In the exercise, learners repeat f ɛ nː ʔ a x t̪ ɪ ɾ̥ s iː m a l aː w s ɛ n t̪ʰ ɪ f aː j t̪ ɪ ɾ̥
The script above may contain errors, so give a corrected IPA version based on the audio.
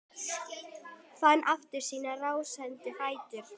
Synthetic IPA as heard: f a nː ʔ a f t̪ ɪ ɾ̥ s iː n a r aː w s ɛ n t̪ ɪ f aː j t̪ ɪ ɾ̥